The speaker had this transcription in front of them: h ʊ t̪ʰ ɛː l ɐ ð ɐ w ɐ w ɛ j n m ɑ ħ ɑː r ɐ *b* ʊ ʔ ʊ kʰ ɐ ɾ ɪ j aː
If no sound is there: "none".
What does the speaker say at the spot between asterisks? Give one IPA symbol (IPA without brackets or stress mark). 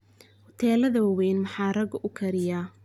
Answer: ɡ